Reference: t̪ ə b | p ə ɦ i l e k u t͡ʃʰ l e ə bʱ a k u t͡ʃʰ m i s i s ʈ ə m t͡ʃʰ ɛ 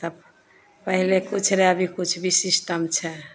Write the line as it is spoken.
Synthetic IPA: t̪ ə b | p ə ɦ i l e k u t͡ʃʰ ɾ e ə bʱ i k u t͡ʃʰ b i s i s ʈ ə m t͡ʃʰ ɛ